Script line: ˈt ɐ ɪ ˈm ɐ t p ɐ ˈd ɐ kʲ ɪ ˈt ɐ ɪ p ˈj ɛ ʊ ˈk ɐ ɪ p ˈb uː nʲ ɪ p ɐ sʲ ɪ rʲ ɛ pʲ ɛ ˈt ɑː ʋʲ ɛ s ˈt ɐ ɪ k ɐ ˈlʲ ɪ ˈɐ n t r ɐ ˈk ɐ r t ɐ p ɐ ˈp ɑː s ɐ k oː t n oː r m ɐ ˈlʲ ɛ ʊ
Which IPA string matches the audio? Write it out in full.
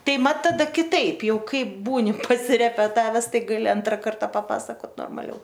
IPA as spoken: ˈt ɐ ɪ ˈm ɐ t t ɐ ˈd ɐ kʲ ɪ ˈt ɐ ɪ p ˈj ɛ ʊ ˈk ɐ ɪ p ˈb uː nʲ ɪ p ɐ sʲ ɪ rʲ ɛ pʲ ɛ ˈt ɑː ʋʲ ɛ s ˈt ɐ ɪ ɡ ɐ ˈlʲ ɪ ˈɐ n t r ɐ ˈk ɐ r t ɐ p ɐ ˈp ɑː s ɐ k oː t n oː r m ɐ ˈlʲ ɛ ʊ